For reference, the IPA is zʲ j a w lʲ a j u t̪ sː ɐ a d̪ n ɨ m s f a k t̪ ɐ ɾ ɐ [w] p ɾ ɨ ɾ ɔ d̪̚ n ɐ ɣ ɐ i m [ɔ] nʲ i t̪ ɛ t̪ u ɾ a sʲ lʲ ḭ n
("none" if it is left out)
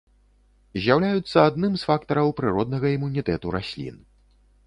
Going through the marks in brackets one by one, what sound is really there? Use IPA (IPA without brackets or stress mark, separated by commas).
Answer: w, u